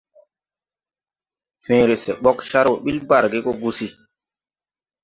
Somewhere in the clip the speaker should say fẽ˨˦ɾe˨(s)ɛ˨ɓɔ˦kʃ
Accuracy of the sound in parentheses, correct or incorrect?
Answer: correct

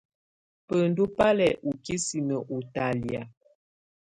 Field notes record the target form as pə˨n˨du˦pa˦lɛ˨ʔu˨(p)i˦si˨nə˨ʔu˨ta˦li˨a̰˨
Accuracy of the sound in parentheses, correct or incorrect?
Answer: incorrect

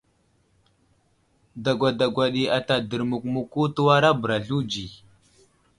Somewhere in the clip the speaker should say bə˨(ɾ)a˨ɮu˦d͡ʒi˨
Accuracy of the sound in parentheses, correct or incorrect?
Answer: correct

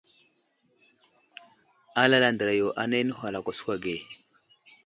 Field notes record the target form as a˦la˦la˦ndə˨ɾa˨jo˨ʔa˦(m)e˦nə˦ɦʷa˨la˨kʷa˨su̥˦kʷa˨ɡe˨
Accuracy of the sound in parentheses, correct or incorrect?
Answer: incorrect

